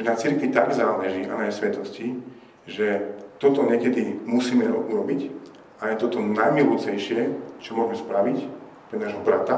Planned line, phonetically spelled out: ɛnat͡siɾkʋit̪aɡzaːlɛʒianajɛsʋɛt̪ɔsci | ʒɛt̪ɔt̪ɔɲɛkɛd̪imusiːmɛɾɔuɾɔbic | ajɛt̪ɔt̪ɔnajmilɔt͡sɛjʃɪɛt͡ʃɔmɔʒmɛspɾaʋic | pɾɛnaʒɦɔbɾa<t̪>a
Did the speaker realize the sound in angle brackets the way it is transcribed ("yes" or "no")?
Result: yes